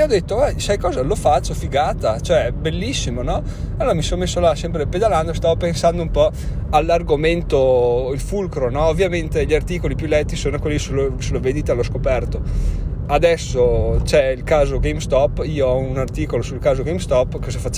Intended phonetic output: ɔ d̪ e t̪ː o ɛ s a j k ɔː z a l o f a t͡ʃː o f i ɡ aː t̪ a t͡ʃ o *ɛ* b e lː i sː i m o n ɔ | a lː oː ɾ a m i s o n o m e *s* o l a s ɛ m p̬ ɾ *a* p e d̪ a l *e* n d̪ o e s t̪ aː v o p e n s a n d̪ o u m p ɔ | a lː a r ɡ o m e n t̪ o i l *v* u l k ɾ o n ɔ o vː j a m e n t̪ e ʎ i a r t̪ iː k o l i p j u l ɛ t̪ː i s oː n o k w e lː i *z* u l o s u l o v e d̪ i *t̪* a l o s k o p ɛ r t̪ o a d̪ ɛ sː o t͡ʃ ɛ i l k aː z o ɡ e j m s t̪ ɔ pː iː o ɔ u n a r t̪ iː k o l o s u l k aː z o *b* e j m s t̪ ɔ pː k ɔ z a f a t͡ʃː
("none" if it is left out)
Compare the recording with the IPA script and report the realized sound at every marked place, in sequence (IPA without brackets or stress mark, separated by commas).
ɛ, sː, e, a, f, s, t̪, ɡ